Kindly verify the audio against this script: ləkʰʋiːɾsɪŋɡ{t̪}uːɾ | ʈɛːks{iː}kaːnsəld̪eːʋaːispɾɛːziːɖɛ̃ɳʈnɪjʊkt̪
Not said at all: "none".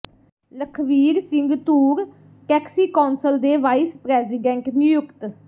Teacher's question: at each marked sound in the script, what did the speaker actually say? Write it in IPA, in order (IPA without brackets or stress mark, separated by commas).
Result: t̪, iː